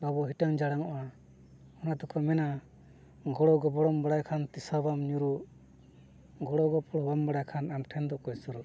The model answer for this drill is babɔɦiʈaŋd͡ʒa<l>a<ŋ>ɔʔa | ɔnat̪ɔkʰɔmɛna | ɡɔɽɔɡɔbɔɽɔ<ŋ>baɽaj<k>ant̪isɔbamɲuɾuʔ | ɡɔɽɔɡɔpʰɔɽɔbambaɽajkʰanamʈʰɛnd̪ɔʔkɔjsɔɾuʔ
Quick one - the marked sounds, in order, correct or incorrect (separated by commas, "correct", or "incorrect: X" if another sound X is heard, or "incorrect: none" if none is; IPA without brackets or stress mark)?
incorrect: ɽ, correct, incorrect: m, incorrect: kʰ